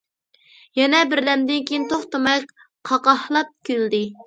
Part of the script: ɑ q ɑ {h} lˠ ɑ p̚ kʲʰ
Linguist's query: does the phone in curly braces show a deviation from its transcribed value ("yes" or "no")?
no